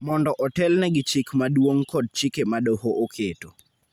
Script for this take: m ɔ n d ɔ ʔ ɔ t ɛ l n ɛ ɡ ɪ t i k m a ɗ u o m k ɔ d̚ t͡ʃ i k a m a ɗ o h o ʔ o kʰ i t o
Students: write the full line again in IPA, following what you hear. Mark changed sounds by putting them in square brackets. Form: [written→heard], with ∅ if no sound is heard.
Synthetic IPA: m ɔ n d ɔ ʔ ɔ t ɛ l n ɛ ɡ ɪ [t→t͡ʃ] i k m a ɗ [u→w] o [m→ŋ] k ɔ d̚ t͡ʃ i k [a→e] m a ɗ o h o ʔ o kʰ [i→e] t o